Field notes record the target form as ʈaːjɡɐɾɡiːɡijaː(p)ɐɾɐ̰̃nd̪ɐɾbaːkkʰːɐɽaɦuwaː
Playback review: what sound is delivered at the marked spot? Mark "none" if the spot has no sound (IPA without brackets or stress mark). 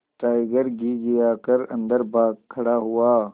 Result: k